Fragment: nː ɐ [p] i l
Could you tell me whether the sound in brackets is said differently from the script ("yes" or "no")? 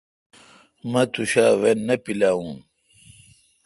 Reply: no